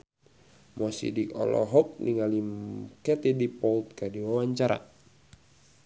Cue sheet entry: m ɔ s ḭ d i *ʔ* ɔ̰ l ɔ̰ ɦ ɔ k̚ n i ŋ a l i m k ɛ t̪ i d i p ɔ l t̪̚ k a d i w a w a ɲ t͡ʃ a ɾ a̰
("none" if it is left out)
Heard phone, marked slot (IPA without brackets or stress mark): k